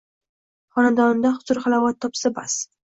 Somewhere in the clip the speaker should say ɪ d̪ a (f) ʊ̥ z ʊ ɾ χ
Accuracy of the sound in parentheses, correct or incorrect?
incorrect